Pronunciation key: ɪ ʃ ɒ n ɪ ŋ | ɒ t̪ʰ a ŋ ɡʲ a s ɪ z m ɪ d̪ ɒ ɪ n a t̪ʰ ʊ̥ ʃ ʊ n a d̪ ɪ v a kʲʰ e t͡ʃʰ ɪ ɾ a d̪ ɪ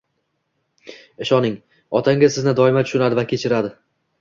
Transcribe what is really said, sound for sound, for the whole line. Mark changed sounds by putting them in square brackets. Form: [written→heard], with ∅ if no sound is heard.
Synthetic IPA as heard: ɪ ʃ ɒ n ɪ ŋ | ɒ t̪ʰ a ŋ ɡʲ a s ɪ z [m→n] ɪ d̪ ɒ ɪ [n→m] a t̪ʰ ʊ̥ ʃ ʊ n a d̪ ɪ v a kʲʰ e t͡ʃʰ ɪ ɾ a d̪ ɪ